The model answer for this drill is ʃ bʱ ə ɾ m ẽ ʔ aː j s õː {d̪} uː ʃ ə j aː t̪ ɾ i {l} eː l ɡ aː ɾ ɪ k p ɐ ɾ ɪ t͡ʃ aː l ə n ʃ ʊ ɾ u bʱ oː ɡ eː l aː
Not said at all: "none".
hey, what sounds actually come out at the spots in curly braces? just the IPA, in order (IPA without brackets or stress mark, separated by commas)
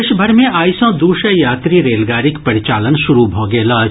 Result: d̪, ɾ